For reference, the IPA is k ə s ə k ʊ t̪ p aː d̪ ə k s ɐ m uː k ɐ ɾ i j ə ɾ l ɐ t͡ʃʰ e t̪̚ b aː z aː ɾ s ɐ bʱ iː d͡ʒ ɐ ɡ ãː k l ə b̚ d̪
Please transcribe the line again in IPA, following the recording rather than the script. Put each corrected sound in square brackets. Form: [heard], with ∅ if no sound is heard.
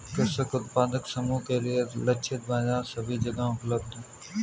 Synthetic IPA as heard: k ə s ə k ʊ t̪ p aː d̪ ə k s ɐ m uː k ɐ ɾ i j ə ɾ l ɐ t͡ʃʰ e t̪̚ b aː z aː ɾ s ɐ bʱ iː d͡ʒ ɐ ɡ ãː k l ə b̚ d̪